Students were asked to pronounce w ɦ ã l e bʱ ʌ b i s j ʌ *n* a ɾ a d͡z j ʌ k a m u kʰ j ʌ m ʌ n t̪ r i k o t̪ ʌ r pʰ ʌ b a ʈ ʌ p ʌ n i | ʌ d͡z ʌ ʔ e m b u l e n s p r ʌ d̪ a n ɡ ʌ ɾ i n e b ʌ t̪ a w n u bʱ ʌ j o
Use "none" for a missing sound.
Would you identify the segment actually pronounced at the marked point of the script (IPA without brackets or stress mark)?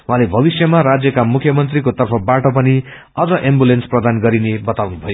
m